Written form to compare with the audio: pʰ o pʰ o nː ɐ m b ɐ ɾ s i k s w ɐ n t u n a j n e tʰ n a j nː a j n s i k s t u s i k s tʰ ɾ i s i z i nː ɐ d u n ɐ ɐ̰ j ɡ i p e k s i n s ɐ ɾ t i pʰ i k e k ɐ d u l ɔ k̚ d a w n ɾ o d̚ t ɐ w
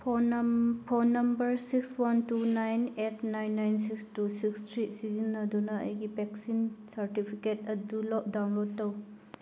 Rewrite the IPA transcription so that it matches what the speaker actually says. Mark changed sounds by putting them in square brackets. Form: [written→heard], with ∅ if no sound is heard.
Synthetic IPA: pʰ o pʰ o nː ɐ m b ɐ ɾ s i k s w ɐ n t u n a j n e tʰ n a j nː a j n s i k s t u s i k s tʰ ɾ i s i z i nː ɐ d u n ɐ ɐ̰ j ɡ i p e k s i n s ɐ ɾ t i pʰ i k e [k→t] ɐ d u l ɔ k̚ d a w n [ɾ→l] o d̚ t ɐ w